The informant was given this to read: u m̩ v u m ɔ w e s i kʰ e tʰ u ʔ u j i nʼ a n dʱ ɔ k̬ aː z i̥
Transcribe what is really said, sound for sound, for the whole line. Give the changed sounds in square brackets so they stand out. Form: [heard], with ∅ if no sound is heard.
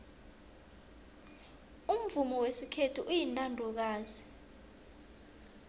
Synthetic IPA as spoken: u m̩ v u m ɔ w e s i kʰ e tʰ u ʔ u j i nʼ a n dʱ ɔ k̬ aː z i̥